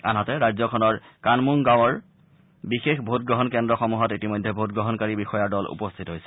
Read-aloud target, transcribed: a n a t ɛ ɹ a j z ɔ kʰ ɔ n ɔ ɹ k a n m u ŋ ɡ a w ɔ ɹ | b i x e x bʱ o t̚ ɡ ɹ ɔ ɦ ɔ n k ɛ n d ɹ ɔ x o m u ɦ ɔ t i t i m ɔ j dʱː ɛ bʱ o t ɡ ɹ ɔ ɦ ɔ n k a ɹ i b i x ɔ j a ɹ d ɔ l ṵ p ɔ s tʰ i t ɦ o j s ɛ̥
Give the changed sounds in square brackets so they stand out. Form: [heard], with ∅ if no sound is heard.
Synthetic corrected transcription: a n a t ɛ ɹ a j z ɔ kʰ ɔ n ɔ ɹ k a n m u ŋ ɡ a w ɔ ɹ | b i x e x bʱ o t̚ ɡ ɹ ɔ ɦ ɔ n k ɛ n d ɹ ɔ x [ɔ] m u ɦ ɔ t i t i m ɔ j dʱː ɛ bʱ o t ɡ ɹ ɔ ɦ ɔ n k a ɹ i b i x ɔ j a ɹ d ɔ l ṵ p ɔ s tʰ i t ɦ o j s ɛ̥

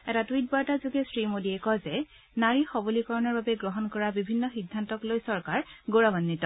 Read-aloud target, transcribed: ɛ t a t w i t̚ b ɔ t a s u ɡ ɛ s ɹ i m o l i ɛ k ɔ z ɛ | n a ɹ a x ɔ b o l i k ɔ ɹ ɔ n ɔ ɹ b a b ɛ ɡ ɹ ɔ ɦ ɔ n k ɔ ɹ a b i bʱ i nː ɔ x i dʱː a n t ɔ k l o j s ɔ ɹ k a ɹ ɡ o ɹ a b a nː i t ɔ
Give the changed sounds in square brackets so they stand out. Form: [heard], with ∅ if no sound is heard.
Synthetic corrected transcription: ɛ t a t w i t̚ b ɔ t a [z] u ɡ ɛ s ɹ i m o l i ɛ k ɔ z ɛ | n a ɹ [i] x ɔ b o l i k ɔ ɹ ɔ n ɔ ɹ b a b ɛ ɡ ɹ ɔ ɦ ɔ n k ɔ ɹ a b i bʱ i nː ɔ x i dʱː a n t ɔ k l o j s ɔ ɹ k a ɹ ɡ o ɹ a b a nː i t ɔ

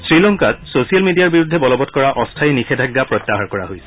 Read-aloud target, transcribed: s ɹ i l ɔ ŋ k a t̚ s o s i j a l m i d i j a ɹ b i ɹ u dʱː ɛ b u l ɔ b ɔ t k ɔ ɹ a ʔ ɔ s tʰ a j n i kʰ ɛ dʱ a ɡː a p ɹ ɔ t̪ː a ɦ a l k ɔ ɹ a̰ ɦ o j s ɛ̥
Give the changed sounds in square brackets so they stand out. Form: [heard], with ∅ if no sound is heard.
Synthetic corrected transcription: s ɹ i l ɔ ŋ k a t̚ s o s i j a l m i d i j a ɹ b i ɹ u dʱː ɛ b [ɔ] l ɔ b ɔ t k ɔ ɹ a ʔ ɔ s tʰ a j n i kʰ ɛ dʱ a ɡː a p ɹ ɔ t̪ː a ɦ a [ɹ] k ɔ ɹ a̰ ɦ o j s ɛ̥

